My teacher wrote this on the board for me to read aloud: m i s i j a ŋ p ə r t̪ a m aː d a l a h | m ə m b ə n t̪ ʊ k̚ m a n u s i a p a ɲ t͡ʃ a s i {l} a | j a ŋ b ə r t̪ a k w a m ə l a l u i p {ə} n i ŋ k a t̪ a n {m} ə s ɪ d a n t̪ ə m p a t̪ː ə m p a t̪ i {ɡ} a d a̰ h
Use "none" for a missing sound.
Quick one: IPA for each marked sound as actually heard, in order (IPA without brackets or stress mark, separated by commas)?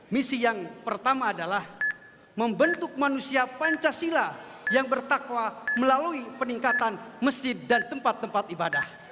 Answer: l, ə, m, b